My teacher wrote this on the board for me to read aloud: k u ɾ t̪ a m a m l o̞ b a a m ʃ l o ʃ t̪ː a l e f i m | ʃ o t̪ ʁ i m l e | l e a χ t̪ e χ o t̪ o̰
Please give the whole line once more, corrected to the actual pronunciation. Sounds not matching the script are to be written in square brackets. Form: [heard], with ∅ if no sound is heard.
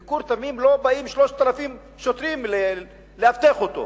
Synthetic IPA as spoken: k u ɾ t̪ a m [i] m l o̞ b a [i] m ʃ l o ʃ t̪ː a l [a] f i m | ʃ o t̪ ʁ i m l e | l e a [f] t̪ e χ o t̪ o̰